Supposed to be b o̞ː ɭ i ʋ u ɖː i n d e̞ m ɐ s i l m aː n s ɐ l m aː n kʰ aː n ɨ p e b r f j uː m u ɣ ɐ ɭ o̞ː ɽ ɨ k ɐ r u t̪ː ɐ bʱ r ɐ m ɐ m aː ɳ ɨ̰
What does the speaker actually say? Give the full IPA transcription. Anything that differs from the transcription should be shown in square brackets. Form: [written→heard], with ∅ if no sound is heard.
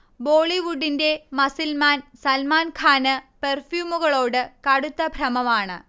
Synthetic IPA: b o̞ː ɭ i ʋ u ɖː i n d e̞ m ɐ s i l m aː n s ɐ l m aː n kʰ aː n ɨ p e [b→∅] r f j uː m u ɣ ɐ ɭ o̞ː ɽ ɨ k ɐ [r→ɽ] u t̪ː ɐ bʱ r ɐ m ɐ m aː ɳ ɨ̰